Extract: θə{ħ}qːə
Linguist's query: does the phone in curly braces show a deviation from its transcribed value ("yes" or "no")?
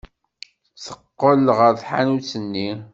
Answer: yes